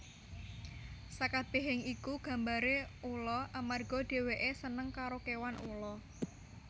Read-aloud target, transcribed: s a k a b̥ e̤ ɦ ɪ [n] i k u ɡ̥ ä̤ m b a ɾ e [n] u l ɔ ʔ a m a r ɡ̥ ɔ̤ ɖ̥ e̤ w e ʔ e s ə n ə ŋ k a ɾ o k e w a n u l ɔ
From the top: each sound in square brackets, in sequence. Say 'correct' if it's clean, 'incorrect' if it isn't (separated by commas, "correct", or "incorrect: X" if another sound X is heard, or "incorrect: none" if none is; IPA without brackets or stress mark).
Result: incorrect: ŋ, incorrect: none